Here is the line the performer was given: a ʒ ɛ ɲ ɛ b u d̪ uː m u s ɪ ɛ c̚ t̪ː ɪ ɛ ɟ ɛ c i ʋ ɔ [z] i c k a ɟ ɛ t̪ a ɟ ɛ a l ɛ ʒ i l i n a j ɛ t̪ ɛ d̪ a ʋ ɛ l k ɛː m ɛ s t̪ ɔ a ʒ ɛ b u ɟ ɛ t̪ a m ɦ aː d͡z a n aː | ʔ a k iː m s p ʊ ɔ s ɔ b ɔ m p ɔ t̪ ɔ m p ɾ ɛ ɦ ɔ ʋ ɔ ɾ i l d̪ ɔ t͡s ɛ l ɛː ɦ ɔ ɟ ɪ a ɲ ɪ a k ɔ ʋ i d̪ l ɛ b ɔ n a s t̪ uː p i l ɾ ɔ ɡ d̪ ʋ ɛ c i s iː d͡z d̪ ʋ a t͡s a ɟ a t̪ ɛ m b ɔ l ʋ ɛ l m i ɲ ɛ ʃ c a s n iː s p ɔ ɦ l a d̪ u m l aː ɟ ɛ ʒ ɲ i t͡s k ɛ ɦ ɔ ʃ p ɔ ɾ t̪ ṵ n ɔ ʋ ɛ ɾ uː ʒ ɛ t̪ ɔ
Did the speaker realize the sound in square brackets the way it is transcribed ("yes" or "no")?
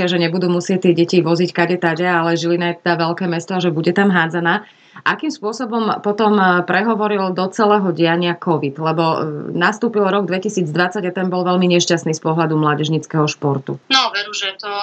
yes